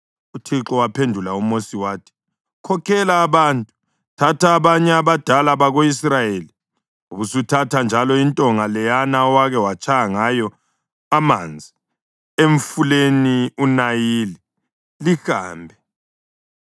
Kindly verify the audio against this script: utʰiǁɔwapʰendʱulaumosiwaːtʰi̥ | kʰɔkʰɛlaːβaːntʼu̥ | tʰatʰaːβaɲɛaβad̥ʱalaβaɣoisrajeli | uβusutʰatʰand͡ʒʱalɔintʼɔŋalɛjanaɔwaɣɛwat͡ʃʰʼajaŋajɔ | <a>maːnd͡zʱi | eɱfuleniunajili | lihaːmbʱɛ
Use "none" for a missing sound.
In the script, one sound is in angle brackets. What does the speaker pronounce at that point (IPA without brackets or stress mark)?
a